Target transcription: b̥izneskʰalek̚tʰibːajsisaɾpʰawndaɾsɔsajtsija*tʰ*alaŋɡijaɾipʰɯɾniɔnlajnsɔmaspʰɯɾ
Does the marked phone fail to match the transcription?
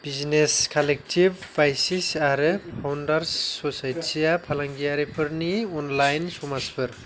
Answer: yes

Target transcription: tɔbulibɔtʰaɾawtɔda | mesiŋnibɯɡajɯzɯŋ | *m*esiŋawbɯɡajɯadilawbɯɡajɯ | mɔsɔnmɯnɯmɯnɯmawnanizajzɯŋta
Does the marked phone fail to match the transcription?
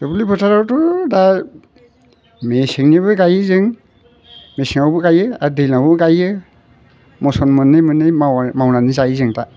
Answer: no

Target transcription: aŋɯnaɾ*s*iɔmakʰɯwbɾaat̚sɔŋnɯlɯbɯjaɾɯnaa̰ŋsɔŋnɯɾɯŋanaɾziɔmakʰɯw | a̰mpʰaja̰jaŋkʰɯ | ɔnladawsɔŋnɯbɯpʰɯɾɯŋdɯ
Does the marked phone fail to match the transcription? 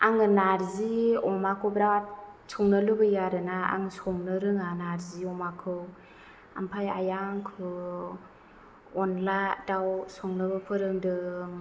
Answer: yes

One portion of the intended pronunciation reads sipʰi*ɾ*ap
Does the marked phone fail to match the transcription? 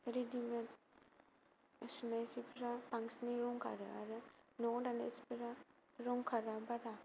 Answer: no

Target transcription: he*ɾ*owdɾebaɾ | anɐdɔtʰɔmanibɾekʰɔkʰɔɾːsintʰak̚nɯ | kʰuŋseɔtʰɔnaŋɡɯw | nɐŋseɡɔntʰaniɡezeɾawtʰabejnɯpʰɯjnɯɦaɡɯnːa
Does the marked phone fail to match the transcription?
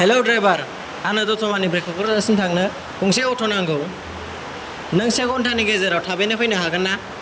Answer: yes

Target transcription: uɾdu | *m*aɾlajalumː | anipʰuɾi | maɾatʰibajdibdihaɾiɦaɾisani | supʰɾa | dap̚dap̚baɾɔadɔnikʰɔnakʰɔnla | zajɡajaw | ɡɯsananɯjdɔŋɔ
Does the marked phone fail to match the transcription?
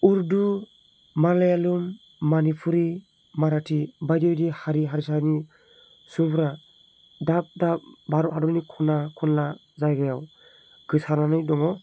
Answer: no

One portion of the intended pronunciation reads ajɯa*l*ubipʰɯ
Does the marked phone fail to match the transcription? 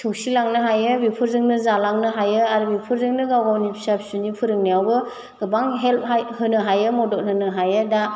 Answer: yes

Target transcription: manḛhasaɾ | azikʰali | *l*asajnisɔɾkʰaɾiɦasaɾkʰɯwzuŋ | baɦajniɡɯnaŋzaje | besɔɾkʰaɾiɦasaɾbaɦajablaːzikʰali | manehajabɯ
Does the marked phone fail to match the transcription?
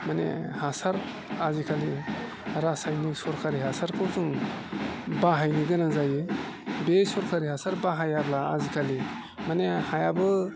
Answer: yes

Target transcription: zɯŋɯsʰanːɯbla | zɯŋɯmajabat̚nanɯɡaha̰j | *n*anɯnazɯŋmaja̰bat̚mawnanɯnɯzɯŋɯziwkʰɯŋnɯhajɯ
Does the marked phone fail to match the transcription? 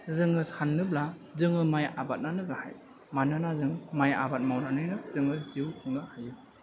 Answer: yes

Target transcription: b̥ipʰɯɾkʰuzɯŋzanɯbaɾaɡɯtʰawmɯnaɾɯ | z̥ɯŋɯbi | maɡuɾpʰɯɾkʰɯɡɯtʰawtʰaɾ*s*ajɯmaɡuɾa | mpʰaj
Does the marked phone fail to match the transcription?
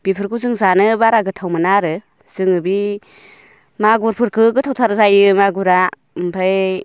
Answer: yes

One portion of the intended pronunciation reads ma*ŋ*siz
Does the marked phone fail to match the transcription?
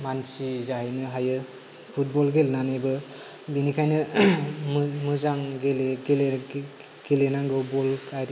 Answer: yes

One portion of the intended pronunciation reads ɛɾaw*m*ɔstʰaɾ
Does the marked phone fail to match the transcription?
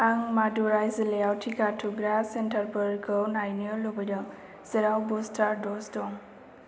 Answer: yes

